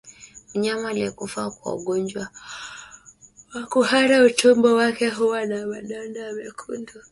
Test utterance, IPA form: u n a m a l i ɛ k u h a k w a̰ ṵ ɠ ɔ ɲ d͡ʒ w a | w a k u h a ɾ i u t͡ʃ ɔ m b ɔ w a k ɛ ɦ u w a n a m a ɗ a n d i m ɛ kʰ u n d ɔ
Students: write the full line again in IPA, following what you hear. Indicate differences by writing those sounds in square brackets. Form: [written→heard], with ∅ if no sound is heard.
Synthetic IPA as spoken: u [n→ɲ] a m a l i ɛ k u [h→f] a k w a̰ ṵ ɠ ɔ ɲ d͡ʒ w a | w a k u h a ɾ [i→a] u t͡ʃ ɔ m b ɔ w a k ɛ ɦ u w a n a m a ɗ a n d [i→a] m ɛ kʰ u n d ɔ